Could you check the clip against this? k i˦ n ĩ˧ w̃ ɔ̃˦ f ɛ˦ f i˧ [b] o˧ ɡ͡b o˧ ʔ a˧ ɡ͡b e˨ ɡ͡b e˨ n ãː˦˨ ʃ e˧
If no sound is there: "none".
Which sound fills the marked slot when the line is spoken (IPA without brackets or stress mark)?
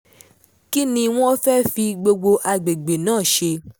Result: ɡ͡b